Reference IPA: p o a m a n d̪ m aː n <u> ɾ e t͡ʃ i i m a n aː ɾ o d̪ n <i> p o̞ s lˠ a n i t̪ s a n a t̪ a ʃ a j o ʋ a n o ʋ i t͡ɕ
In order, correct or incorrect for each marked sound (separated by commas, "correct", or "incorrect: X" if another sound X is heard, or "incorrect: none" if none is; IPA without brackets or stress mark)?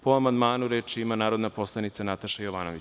correct, incorrect: a